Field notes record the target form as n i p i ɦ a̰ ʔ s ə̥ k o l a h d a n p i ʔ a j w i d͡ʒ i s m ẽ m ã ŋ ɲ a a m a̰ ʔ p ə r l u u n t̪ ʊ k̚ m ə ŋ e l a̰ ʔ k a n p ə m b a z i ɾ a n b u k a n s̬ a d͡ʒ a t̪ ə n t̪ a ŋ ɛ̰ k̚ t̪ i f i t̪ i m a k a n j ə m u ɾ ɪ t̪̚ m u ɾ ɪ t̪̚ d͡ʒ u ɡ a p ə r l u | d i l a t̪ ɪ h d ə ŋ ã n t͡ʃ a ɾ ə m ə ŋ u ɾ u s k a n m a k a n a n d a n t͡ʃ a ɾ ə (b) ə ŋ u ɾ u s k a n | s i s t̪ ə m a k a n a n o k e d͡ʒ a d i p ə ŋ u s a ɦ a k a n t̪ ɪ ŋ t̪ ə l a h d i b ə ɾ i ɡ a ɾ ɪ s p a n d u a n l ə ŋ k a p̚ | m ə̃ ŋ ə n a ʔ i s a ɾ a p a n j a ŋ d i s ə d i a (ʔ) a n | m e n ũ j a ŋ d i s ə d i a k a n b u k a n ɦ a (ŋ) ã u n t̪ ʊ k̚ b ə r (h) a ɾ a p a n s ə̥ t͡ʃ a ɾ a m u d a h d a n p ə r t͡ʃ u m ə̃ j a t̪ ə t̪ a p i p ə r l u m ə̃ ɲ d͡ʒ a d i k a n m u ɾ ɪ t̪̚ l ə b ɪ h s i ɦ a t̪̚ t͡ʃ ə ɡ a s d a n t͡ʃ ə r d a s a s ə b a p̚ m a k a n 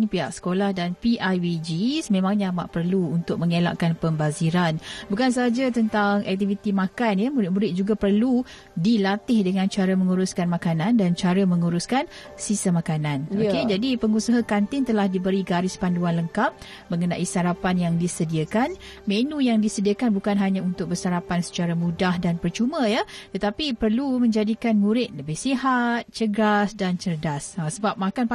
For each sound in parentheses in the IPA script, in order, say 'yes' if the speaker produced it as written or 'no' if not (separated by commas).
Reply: no, no, no, no